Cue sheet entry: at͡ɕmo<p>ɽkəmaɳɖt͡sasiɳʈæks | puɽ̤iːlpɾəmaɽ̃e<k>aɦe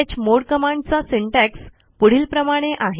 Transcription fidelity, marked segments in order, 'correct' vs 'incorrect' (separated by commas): incorrect, incorrect